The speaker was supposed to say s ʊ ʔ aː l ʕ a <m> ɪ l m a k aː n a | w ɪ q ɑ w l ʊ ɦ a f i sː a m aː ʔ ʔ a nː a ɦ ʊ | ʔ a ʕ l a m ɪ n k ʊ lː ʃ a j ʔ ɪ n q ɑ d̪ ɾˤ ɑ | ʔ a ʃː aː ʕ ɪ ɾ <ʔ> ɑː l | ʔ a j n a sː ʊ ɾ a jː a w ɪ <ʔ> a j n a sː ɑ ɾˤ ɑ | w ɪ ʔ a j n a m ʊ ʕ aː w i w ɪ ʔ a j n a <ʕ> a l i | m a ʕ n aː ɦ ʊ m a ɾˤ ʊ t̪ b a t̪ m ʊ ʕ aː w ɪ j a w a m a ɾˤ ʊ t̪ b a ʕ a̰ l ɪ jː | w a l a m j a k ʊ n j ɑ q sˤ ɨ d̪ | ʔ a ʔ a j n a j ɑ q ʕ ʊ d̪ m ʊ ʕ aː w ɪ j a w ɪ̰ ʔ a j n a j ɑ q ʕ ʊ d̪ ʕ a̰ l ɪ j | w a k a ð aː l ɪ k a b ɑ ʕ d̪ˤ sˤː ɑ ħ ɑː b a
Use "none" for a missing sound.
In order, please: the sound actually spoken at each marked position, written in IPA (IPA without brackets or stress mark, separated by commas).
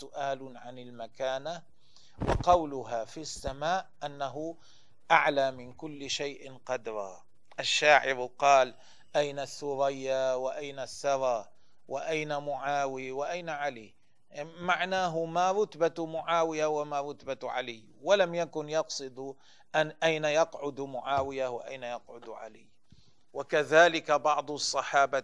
n, q, ʔ, ʕ